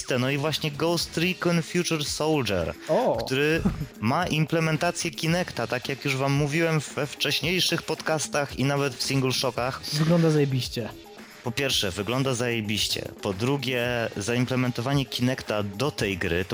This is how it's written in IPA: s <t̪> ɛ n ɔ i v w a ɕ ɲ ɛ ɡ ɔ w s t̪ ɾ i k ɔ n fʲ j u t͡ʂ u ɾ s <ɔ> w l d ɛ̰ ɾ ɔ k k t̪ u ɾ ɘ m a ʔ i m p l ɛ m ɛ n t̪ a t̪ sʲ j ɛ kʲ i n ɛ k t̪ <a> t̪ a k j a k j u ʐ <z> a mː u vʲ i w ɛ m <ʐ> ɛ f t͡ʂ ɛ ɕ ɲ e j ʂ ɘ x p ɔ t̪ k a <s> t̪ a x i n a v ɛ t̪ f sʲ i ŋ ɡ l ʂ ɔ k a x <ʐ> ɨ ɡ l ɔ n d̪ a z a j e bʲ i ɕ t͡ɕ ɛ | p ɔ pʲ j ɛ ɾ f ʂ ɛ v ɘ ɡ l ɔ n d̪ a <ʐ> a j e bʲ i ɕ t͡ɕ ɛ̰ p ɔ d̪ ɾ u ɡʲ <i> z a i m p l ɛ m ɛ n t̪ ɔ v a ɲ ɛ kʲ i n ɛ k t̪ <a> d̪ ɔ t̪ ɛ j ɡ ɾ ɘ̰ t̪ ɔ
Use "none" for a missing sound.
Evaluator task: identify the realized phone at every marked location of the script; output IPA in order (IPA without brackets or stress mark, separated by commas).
t̪, ɔ, a, v, v, s, v, z, ɛ, a